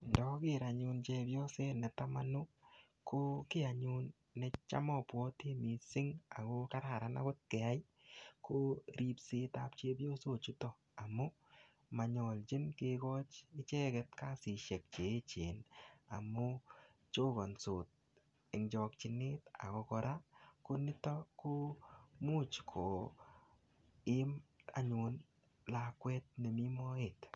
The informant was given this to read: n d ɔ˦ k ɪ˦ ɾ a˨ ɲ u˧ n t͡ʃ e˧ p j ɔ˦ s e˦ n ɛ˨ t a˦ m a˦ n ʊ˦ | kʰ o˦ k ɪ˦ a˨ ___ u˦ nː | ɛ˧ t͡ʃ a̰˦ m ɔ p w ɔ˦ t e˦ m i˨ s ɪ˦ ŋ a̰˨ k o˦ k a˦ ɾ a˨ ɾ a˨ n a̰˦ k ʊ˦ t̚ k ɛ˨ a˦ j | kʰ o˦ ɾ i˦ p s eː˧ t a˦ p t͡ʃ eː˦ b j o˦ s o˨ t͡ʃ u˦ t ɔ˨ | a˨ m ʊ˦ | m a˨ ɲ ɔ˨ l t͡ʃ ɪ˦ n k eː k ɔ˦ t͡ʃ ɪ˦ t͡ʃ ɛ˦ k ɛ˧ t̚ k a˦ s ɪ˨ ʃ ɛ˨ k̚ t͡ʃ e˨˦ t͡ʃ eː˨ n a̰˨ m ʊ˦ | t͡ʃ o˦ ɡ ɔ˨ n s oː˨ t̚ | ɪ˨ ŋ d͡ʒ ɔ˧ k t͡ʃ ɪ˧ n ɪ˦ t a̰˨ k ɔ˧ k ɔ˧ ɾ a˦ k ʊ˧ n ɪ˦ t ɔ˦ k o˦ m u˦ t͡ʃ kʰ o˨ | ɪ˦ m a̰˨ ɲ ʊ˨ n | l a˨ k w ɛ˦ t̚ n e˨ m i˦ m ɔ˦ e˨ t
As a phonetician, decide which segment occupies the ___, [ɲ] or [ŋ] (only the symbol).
ɲ